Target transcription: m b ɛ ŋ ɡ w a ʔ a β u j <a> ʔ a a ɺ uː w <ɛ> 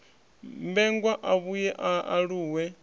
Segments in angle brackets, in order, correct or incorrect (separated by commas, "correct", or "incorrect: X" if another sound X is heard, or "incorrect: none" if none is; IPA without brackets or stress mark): incorrect: ɛ, correct